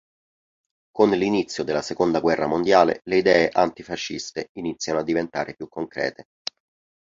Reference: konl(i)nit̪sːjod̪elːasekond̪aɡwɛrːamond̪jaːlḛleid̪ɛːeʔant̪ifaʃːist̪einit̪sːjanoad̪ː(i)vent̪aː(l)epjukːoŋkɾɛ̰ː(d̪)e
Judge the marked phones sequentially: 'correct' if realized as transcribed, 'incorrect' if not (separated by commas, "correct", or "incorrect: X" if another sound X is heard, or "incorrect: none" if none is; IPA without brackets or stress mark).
correct, correct, incorrect: ɾ, incorrect: t̪